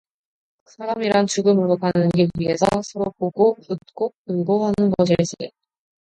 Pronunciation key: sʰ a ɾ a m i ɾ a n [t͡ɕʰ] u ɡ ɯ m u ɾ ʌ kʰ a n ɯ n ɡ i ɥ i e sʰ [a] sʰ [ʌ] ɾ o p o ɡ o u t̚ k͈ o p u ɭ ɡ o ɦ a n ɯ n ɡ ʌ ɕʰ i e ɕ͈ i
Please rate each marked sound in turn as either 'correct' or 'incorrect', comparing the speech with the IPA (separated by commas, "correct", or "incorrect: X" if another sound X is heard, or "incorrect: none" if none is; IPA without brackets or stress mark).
incorrect: t͡ɕ, incorrect: ʌ, correct